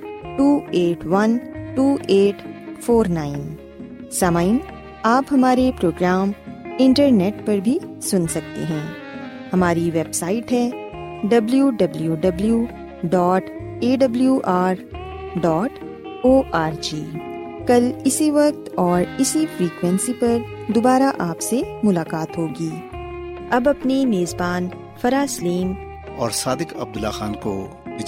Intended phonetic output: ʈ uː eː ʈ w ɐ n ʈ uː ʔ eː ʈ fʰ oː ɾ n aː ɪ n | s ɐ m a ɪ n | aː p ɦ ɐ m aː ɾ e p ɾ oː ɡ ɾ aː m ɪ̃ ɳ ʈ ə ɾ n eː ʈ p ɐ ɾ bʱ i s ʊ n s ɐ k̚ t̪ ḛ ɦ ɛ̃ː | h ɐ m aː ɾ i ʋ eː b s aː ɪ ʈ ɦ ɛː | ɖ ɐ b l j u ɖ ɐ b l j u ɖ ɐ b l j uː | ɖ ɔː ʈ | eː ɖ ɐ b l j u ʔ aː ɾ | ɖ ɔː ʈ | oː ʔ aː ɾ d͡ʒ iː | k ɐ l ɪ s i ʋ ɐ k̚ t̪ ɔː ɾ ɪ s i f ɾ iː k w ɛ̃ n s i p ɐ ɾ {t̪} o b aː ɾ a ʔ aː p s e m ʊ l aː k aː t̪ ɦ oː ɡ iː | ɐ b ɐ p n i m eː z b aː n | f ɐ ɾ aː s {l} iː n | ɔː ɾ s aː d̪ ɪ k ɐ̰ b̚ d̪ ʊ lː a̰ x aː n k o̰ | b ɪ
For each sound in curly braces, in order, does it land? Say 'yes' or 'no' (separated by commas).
no, yes